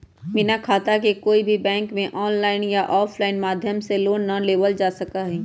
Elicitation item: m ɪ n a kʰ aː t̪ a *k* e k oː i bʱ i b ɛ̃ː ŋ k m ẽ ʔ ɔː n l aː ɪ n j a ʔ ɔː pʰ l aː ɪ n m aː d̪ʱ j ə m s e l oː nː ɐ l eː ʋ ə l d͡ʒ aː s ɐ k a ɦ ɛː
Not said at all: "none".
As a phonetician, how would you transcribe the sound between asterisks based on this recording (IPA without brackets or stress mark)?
k